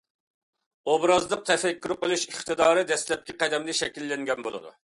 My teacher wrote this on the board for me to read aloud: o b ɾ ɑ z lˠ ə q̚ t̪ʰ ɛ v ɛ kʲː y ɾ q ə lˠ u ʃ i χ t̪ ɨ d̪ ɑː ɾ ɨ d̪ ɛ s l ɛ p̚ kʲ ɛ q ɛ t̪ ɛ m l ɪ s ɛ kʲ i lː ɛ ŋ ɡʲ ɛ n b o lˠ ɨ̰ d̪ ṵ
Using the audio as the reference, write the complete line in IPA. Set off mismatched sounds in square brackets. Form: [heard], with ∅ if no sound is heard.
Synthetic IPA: o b ɾ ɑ z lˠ ə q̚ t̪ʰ ɛ [f] ɛ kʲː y ɾ q ə lˠ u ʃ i χ t̪ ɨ d̪ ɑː ɾ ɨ d̪ ɛ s l ɛ p̚ kʲ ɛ q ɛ [d̪] ɛ m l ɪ [ʃ] ɛ kʲ i lː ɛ ŋ ɡʲ ɛ n b o lˠ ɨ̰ d̪ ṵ